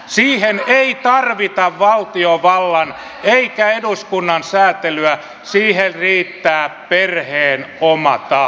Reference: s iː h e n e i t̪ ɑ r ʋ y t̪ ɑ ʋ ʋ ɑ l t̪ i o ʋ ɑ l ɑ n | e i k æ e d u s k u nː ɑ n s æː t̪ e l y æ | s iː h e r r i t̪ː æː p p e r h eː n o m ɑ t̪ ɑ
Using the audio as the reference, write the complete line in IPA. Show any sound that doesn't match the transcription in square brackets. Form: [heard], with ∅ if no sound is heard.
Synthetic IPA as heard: s iː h e n e i t̪ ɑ r ʋ [i] t̪ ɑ ʋ ʋ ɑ l t̪ i o ʋ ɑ [lː] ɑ n | e i k æ e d u s k u nː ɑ n s æː t̪ e l y æ | s iː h e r r [iː] t̪ː æː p p e r h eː n o m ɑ t̪ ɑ